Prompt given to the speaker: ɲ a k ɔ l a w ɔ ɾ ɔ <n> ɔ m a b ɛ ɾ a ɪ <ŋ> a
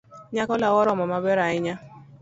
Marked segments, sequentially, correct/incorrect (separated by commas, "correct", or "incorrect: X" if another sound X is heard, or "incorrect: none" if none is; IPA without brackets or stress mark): incorrect: m, incorrect: ɲ